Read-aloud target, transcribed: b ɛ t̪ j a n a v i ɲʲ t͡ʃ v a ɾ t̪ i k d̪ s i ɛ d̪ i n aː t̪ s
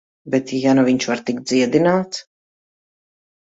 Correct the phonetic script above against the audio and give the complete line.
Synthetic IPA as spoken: b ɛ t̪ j a n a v i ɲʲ t͡ʃ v a ɾ t̪ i k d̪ z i ɛ d̪ i n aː t̪ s